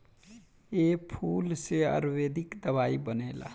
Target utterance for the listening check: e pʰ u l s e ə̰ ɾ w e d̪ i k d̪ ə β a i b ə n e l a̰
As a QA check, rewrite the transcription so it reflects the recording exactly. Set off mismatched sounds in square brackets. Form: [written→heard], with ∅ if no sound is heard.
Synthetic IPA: e pʰ u l s e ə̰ ɾ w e d̪ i k d̪ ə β a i b ə n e l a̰